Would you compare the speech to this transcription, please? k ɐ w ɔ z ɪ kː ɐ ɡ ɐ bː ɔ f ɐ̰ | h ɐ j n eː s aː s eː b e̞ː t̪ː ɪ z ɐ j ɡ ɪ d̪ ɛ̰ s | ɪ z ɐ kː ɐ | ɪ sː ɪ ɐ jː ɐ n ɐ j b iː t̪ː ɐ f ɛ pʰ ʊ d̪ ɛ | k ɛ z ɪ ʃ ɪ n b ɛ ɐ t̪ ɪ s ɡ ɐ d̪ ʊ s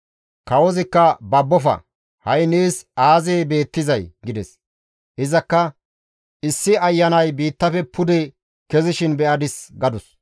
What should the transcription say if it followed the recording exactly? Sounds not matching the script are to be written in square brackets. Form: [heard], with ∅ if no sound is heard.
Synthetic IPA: k ɐ w ɔ z ɪ kː ɐ [b] ɐ bː ɔ f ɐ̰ | h ɐ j n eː s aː [z] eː b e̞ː t̪ː ɪ z ɐ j ɡ ɪ d̪ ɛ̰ s | ɪ z ɐ kː ɐ | ɪ sː ɪ ɐ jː ɐ n ɐ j b iː t̪ː ɐ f ɛ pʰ ʊ d̪ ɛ | k ɛ z ɪ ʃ ɪ n b ɛ ɐ [d̪] ɪ s ɡ ɐ d̪ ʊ s